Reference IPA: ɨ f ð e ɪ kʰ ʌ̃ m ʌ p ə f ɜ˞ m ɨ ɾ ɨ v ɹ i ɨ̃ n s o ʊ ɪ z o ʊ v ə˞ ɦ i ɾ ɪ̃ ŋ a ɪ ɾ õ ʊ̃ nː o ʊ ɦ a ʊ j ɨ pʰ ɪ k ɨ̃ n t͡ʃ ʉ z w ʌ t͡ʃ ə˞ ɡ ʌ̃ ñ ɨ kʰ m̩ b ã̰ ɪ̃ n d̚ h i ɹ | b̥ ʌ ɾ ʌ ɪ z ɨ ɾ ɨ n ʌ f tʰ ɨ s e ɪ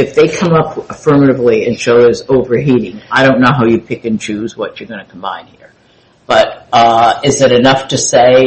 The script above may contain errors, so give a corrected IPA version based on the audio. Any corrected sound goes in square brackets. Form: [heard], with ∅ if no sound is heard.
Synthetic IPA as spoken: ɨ f ð e ɪ kʰ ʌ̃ m ʌ p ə f ɜ˞ m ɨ ɾ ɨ v [l] i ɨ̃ n [ʃ] o ʊ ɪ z o ʊ v ə˞ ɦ i ɾ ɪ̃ ŋ a ɪ ɾ õ ʊ̃ nː o ʊ ɦ a ʊ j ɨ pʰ ɪ k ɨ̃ n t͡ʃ ʉ z w ʌ t͡ʃ ə˞ ɡ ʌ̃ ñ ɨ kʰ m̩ b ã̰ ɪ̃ n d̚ h i ɹ | b̥ ʌ ɾ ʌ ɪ z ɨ ɾ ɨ n ʌ f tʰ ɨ s e ɪ